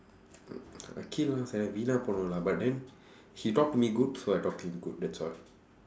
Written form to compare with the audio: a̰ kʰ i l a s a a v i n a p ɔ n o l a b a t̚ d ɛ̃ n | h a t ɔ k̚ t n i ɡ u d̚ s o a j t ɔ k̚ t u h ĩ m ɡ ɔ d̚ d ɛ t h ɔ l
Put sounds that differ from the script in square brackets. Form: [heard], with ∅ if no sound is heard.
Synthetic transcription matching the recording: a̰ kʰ i l a s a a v i n a p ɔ n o l a b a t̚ d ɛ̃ n | h [i] t ɔ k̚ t [m] i ɡ u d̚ s o a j t ɔ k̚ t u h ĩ m ɡ [u] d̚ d ɛ t [s] ɔ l